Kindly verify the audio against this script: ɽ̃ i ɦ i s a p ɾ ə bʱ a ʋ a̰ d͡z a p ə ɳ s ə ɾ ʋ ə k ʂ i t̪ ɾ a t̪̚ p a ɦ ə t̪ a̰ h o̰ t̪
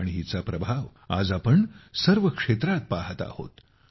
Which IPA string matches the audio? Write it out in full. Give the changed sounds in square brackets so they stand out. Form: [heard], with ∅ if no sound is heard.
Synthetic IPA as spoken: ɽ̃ i ɦ i [t͡s] a p ɾ ə bʱ a ʋ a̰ d͡z a p ə ɳ s ə ɾ ʋ ə k ʂ [e] t̪ ɾ a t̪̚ p a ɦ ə t̪ a̰ h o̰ t̪